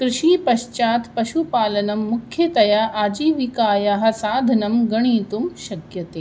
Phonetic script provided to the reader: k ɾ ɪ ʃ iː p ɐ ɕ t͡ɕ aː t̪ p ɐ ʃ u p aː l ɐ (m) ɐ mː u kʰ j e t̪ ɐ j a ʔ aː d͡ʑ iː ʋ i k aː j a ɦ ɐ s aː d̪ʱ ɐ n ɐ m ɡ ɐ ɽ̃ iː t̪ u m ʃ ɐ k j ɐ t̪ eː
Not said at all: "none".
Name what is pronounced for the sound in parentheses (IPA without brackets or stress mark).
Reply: n